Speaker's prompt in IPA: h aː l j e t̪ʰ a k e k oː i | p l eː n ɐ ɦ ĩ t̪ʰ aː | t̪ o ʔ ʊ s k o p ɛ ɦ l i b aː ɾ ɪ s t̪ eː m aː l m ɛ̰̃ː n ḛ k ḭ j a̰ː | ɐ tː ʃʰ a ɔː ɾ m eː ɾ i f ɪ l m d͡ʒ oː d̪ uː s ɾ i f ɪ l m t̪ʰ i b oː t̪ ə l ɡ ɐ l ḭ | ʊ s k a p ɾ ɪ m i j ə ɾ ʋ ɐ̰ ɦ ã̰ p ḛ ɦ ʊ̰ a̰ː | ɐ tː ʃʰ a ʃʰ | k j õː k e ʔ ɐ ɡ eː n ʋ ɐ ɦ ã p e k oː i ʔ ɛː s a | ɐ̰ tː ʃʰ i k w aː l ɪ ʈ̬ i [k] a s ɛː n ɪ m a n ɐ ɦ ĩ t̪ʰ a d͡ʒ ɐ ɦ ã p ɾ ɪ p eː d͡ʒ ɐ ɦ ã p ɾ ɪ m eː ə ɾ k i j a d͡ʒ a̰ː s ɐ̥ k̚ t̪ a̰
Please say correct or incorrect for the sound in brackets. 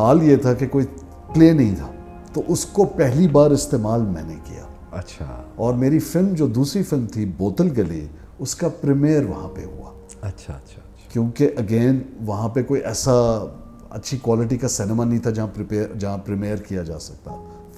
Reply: correct